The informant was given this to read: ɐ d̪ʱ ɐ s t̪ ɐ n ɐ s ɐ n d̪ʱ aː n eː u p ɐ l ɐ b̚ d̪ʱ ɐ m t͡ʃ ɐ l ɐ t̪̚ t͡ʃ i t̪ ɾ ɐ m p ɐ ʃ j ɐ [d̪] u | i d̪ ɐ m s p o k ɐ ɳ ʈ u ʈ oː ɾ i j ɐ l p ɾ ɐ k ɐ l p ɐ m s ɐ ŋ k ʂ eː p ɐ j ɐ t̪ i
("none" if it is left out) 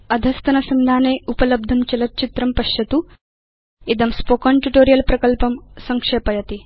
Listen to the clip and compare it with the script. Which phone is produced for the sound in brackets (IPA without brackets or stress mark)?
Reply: t̪